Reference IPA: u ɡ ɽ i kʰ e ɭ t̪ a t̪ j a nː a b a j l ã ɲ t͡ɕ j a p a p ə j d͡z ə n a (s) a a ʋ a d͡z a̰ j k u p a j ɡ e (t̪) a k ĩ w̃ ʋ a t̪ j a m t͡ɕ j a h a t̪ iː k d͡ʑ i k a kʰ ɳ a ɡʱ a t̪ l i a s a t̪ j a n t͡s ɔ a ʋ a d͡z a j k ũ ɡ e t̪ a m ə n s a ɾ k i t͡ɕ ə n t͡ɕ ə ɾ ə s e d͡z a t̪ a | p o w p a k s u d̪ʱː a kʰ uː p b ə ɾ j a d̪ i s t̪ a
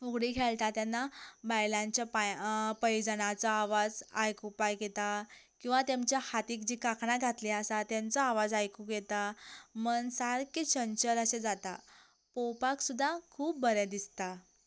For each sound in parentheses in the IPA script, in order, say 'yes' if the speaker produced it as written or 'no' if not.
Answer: no, yes

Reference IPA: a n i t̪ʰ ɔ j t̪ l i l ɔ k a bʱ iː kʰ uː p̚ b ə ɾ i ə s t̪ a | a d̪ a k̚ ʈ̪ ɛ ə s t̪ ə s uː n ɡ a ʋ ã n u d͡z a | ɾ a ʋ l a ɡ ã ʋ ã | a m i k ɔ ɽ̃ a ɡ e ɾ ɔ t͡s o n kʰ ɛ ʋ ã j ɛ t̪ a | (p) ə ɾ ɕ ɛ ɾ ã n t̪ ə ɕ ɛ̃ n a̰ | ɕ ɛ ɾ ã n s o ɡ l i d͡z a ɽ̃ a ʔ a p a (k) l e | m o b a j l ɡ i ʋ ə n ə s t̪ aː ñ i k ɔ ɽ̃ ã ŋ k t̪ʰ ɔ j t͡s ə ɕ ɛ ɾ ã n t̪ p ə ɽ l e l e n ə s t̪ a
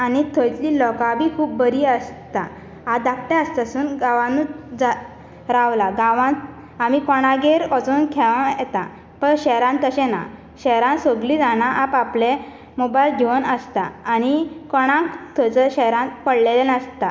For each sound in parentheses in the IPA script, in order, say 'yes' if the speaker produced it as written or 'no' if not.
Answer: yes, no

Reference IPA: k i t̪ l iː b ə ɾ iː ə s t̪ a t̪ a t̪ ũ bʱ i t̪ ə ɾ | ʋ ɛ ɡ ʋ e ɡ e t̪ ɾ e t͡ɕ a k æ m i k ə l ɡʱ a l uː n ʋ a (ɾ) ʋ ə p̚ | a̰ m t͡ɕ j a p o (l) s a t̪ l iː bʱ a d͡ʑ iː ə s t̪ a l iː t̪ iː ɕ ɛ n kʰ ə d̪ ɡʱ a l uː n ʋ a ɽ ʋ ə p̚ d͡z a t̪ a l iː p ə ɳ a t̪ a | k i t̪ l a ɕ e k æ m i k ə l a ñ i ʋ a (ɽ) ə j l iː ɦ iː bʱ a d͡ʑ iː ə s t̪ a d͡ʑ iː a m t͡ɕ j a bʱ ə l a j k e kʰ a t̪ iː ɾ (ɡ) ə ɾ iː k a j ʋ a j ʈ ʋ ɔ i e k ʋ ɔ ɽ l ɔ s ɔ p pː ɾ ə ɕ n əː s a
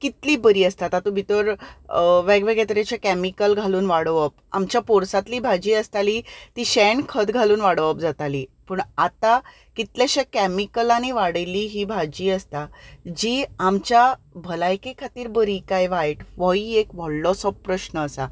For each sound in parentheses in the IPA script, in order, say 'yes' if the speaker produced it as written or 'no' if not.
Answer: no, no, yes, no

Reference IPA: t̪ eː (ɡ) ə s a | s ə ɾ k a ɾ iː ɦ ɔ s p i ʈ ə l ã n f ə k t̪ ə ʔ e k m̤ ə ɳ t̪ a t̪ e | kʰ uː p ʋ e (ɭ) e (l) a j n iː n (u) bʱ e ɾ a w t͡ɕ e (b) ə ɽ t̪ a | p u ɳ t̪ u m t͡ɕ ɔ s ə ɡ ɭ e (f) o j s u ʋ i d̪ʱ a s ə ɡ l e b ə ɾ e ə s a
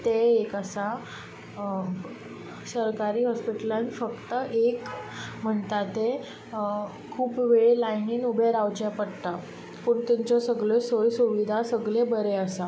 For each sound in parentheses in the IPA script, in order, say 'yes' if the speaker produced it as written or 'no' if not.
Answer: no, yes, yes, yes, no, no

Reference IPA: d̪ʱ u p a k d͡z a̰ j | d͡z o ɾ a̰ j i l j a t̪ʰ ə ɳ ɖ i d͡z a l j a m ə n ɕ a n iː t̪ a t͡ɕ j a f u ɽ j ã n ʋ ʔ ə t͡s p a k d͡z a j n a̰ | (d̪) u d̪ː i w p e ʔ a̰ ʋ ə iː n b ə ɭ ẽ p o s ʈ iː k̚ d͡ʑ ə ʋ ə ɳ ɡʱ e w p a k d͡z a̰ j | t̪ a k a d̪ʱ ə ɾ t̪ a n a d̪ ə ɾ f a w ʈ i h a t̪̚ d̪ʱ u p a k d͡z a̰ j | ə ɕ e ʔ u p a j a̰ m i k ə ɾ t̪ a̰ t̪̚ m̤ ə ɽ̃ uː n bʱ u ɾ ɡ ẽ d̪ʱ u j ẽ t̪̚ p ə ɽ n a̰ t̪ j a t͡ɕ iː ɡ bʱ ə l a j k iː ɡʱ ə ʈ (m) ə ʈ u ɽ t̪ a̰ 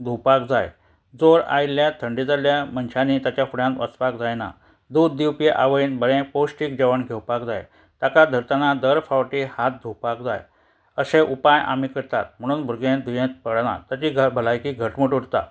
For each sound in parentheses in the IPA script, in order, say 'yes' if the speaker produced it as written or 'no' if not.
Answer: yes, yes

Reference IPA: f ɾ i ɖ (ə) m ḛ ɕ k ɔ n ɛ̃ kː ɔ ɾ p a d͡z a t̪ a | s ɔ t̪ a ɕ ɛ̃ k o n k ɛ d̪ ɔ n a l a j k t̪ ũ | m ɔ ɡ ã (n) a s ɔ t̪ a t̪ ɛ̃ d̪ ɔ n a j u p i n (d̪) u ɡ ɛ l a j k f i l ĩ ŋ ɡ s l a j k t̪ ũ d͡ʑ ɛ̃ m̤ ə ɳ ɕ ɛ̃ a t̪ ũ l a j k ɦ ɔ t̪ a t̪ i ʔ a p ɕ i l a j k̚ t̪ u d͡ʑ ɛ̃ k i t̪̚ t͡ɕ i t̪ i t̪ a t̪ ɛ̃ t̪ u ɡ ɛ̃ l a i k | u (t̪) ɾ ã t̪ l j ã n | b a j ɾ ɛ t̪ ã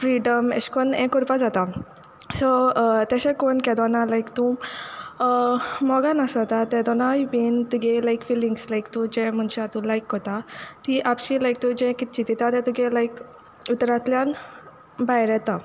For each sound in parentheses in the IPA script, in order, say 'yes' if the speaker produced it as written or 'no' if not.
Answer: yes, yes, no, yes

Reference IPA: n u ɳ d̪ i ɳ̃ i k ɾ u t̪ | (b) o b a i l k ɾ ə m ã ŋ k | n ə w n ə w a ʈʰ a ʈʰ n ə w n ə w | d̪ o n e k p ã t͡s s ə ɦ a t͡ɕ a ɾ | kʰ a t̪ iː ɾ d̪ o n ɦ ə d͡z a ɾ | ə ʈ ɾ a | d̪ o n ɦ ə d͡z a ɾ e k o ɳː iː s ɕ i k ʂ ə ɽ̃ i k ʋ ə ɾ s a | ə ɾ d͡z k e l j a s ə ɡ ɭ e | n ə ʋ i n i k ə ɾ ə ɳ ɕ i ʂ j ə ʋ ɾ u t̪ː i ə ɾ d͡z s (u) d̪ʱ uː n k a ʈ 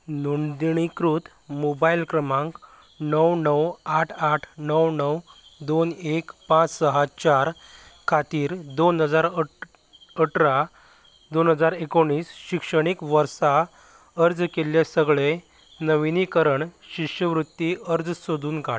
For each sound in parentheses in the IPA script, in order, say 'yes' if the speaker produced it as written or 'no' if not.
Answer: no, no

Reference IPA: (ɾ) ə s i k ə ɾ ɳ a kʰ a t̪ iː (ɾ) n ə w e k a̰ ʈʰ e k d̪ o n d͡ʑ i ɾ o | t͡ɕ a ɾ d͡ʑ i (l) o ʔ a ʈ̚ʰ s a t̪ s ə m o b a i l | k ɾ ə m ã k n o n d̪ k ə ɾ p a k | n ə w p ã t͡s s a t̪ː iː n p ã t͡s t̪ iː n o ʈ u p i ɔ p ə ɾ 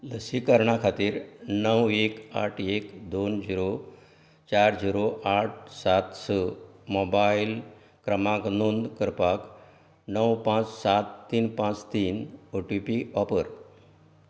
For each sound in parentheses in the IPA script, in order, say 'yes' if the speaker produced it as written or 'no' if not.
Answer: no, yes, no

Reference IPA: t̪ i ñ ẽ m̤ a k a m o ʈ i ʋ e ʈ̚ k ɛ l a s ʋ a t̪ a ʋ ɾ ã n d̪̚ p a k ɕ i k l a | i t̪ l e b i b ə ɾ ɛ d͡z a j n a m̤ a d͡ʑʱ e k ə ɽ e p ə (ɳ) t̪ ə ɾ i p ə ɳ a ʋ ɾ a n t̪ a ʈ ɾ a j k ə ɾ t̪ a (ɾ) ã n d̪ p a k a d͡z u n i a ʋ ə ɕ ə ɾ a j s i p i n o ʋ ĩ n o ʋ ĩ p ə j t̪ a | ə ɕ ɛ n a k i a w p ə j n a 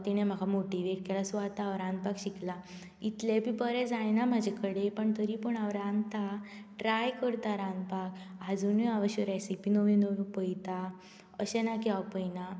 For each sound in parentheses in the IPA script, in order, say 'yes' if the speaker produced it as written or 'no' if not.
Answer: yes, yes

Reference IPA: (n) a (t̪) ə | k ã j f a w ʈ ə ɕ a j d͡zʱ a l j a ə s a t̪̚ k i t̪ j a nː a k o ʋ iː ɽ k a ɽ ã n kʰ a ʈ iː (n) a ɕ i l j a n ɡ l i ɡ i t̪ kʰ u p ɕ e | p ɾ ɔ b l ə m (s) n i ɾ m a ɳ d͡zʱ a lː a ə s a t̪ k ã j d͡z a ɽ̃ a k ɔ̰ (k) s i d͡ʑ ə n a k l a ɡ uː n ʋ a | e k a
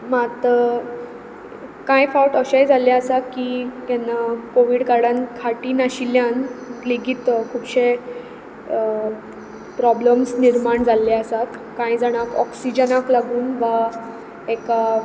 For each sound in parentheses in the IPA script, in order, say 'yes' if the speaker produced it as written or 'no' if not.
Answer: no, yes, yes, yes, yes

